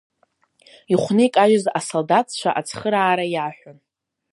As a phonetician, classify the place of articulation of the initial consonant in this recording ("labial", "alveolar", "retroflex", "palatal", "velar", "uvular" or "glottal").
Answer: uvular